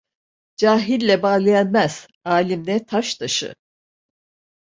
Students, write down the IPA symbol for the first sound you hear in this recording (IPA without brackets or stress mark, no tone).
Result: d͡ʒ